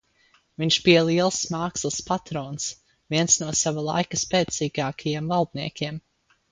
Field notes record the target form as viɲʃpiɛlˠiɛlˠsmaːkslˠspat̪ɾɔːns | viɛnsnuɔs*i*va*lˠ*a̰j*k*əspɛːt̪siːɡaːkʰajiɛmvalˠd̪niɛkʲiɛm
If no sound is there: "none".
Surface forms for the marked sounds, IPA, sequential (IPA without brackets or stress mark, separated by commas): a, lˠ, k